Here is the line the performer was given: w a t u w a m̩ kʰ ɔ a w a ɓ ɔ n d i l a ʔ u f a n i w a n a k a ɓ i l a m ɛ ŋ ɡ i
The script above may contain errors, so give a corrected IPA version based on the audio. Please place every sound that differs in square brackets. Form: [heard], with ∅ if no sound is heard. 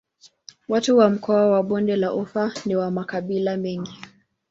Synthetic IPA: w a t u w a m̩ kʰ ɔ a w a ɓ ɔ n d [ɛ] l a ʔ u f a n i w a [m] a k a ɓ i l a m ɛ ŋ ɡ i